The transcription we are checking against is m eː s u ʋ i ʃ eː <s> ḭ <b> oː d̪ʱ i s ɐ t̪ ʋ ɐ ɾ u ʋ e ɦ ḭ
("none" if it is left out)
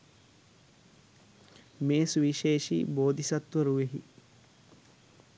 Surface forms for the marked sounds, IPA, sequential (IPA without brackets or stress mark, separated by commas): ʃ, b